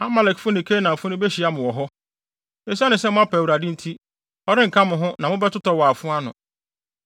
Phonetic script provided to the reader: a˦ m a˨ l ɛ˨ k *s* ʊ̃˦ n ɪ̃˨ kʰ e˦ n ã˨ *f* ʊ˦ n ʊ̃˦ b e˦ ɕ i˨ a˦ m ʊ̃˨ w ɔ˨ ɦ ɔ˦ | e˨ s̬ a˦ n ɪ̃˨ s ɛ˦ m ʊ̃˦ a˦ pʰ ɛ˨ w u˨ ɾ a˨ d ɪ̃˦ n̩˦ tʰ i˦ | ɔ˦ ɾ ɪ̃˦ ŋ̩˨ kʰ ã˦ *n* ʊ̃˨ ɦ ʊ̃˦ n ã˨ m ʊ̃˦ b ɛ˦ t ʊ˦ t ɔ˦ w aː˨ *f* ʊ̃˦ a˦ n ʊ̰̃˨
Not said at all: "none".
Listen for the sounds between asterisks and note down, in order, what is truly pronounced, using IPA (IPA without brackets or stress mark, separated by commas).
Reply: f, f, m, f